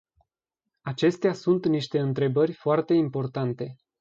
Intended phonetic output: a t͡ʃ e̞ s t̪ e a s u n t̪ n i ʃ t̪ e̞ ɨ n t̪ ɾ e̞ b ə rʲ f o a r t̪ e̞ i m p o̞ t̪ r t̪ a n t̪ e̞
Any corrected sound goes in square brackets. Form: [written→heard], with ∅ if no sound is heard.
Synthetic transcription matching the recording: a t͡ʃ e̞ s t̪ e a s u n t̪ n i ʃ t̪ e̞ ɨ n t̪ ɾ e̞ b ə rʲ f o a r t̪ e̞ i m p o̞ [t̪→∅] r t̪ a n t̪ e̞